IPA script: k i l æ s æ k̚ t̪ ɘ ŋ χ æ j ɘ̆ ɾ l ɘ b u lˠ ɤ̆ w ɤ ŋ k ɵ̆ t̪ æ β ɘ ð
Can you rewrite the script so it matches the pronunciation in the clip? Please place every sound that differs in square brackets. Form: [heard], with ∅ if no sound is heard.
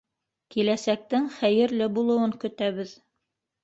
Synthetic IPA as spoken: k i l æ s æ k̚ t̪ ɘ ŋ χ æ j ɘ̆ ɾ l ɘ b u lˠ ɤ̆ w ɤ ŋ k ɵ̆ t̪ æ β ɘ ð